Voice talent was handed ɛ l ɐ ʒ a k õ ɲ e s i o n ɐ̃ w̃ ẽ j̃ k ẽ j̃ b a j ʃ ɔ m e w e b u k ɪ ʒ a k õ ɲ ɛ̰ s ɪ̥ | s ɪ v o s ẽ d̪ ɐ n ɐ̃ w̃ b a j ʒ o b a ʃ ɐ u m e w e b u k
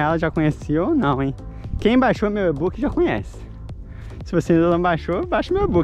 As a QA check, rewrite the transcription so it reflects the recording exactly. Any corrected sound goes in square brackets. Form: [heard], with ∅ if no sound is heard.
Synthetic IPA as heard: ɛ l ɐ ʒ a k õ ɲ e s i o n ɐ̃ w̃ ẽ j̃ k ẽ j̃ b a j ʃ [o] m e w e b u k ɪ ʒ a k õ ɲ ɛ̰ s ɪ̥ | s ɪ v o s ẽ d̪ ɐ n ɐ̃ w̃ b a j [ʃ] o b a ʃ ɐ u m e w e b u k

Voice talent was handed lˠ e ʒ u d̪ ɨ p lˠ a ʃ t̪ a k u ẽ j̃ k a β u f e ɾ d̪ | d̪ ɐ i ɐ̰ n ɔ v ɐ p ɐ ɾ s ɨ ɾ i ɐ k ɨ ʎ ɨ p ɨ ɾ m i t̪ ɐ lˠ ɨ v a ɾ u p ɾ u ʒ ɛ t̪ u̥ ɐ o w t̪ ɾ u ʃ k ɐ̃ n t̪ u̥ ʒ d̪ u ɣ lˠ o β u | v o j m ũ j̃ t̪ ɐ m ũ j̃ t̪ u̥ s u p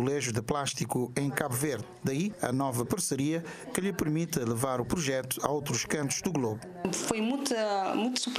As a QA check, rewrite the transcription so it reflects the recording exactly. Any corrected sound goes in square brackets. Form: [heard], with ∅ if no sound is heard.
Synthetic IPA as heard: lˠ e ʒ u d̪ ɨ p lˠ a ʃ t̪ [i] k u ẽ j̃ k a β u [v] e ɾ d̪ | d̪ ɐ i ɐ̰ n ɔ v ɐ p ɐ ɾ s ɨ ɾ i ɐ k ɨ ʎ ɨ p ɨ ɾ m i t̪ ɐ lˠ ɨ v a ɾ u p ɾ u ʒ ɛ t̪ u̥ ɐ o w t̪ ɾ u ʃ k ɐ̃ n t̪ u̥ ʒ d̪ u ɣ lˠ o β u | [f] o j m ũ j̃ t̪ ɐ m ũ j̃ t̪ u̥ s u p

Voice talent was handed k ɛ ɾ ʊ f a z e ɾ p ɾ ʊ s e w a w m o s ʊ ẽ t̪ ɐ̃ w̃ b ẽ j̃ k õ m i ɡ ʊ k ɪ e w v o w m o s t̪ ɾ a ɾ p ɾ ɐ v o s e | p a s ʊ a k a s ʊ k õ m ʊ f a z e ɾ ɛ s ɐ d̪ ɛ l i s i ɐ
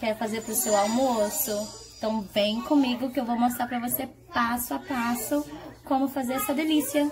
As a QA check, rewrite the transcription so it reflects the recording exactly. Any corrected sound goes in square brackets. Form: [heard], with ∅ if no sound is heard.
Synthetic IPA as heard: k ɛ ɾ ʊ f a z e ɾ p ɾ ʊ s e w a w m o s ʊ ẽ t̪ ɐ̃ w̃ [v] ẽ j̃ k õ m i ɡ ʊ k ɪ e w v o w m o s t̪ ɾ a ɾ p ɾ ɐ v o s e | p a s ʊ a [p] a s ʊ k õ m ʊ f a z e ɾ ɛ s ɐ d̪ [e] l i s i ɐ

